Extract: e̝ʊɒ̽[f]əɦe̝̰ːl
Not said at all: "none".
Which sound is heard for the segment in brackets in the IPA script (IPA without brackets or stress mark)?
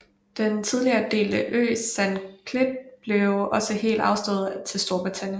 s